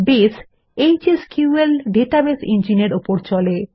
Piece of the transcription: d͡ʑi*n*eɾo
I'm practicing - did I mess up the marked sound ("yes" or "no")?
no